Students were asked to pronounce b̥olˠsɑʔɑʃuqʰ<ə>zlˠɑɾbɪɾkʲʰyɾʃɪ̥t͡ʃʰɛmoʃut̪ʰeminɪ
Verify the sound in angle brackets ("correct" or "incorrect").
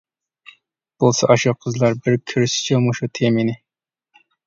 correct